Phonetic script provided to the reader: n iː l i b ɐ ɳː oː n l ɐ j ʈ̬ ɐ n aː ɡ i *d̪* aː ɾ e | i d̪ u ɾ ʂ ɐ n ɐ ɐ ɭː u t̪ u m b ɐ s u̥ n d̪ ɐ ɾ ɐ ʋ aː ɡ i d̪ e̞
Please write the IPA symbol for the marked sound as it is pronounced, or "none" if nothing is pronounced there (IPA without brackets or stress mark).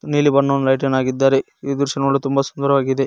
d̪ː